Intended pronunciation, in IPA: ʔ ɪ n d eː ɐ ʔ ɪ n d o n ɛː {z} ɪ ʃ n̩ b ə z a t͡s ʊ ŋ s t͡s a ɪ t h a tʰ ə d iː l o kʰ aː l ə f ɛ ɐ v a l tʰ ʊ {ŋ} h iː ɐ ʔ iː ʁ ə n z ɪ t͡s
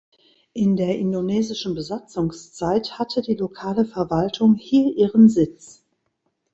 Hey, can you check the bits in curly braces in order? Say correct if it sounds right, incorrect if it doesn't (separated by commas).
correct, correct